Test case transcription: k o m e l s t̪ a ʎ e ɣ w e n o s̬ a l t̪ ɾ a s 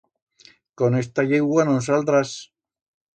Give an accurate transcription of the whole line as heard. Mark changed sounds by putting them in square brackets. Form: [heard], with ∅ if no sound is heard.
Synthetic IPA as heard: k o [n] e [∅] s t̪ a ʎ e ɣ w [a] n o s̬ a l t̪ ɾ a s